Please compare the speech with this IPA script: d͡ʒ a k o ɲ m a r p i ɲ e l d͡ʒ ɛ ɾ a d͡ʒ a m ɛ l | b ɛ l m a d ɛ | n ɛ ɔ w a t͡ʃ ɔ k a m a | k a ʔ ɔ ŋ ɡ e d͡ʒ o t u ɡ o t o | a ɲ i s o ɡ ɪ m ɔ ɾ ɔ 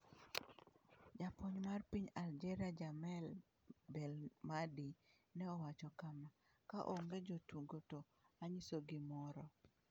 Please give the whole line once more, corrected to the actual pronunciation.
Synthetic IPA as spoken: d͡ʒ a p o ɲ m a r p i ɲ a l d͡ʒ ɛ ɾ a d͡ʒ a m ɛ l | b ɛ l m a d i | n ɛ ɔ w a t͡ʃ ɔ k a m a | k a ʔ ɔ ŋ ɡ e d͡ʒ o t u ɡ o t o | a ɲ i s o ɡ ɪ m ɔ ɾ ɔ